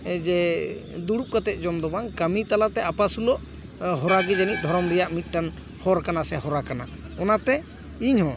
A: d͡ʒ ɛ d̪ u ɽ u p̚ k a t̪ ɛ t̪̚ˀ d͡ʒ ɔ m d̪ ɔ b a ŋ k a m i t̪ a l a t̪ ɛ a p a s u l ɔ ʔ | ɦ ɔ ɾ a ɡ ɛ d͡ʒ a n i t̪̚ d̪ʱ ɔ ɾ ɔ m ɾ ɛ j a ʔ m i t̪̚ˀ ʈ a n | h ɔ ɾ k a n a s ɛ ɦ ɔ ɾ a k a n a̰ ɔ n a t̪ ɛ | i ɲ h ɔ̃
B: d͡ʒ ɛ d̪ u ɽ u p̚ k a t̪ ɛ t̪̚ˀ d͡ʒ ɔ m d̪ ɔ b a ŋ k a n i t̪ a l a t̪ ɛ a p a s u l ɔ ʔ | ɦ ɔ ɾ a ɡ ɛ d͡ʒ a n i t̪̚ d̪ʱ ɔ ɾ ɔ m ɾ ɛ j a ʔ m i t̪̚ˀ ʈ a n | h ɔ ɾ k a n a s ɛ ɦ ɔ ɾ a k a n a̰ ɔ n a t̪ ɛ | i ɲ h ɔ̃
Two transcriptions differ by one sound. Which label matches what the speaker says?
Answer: A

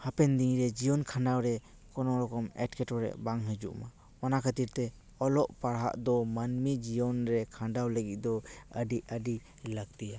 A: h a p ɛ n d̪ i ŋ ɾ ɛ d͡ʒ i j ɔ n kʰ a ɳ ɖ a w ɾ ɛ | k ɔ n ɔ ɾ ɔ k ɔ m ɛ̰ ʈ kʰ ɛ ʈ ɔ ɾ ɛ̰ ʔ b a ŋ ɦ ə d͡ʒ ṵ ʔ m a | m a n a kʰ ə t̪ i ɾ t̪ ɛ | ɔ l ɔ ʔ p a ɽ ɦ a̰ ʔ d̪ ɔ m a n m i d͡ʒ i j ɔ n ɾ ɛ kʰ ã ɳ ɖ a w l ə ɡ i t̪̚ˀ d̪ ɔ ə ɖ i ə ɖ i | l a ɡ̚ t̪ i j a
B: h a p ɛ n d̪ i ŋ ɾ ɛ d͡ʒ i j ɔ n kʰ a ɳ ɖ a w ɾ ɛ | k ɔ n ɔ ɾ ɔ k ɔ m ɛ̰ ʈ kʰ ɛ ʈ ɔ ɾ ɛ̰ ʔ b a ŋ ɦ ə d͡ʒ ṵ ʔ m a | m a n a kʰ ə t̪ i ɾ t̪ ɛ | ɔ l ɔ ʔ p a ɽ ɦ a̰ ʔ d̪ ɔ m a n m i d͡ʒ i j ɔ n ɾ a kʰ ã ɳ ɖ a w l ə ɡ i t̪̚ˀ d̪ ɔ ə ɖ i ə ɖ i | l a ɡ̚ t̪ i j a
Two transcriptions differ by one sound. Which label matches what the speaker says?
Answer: A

